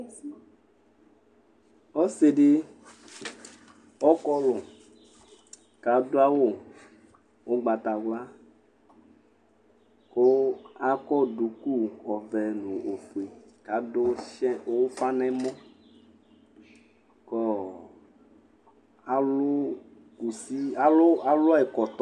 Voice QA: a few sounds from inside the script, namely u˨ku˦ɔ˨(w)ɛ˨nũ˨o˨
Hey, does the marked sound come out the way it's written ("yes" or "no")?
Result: no